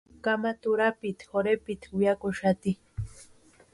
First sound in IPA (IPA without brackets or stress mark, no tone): k